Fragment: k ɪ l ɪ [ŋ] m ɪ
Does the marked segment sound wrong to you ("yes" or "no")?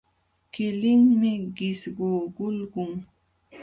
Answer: no